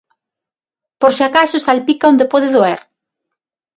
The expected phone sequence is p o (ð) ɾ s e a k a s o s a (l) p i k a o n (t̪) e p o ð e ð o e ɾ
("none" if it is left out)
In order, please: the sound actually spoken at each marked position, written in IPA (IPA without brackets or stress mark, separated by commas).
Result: none, l, d̪